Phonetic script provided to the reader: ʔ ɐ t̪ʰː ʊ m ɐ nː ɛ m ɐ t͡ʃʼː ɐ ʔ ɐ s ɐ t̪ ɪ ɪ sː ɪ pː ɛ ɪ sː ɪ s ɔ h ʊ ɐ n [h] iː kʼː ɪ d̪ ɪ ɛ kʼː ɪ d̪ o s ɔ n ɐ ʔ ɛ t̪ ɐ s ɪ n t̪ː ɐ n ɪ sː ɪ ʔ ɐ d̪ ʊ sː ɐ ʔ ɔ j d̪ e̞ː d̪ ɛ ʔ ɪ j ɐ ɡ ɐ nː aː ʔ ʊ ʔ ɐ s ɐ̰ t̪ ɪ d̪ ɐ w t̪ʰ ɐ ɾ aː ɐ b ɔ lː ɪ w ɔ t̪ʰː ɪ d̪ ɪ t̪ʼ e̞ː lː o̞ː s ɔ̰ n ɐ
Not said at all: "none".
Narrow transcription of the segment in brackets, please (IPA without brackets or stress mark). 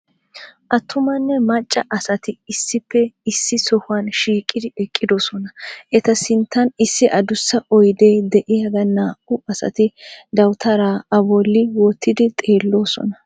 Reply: ʃ